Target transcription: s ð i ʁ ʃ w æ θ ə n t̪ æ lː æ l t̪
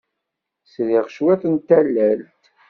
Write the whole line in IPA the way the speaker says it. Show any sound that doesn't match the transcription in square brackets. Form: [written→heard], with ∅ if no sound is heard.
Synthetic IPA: s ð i ʁ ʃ w æ θ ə n t̪ æ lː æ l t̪